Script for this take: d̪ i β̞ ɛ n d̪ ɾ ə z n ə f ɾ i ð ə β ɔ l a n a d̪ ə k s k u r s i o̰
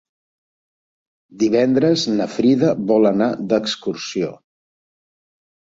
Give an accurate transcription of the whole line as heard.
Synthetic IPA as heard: d̪ i β̞ ɛ n d̪ ɾ ə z n ə f ɾ i ð ə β ɔ l ə n a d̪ ə k s k u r s i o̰